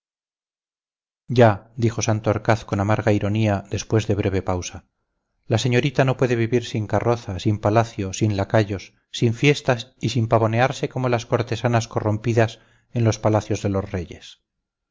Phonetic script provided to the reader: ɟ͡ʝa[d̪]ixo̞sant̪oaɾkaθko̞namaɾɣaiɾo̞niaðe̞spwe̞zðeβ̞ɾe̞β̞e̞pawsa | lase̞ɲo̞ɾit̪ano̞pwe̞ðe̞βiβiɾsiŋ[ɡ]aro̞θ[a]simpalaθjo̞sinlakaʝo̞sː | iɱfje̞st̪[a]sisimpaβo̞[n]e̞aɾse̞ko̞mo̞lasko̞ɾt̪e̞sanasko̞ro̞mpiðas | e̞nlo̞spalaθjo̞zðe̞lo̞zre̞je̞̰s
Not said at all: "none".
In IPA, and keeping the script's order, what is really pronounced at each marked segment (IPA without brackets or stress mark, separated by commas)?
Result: d̪, k, a, a, n